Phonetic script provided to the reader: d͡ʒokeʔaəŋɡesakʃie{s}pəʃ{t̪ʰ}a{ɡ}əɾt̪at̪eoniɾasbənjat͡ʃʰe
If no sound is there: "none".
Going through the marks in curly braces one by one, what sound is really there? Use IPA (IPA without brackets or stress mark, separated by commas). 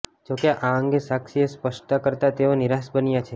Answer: s, t̪, k